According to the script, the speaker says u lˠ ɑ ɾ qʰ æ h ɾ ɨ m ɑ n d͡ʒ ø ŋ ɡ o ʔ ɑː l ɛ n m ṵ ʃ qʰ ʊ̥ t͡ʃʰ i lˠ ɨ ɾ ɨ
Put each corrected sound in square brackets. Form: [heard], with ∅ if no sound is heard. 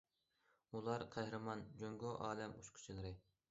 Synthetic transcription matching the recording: u lˠ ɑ ɾ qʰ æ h ɾ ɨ m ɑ n d͡ʒ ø ŋ ɡ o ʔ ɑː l ɛ [∅] m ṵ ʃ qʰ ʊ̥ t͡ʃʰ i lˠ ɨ ɾ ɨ